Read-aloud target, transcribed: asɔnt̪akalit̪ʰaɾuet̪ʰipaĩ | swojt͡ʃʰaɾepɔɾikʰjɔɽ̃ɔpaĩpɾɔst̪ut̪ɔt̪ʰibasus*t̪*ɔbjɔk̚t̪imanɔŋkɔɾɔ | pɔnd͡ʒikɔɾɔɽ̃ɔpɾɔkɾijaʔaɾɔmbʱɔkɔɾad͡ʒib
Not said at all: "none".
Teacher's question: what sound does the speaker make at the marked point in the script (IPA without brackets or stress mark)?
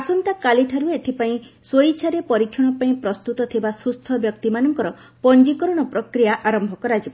t̪ʰ